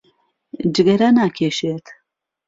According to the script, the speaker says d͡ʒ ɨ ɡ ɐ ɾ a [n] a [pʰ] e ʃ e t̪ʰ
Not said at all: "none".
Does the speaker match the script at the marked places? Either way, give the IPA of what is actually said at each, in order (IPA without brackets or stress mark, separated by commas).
n, kʰ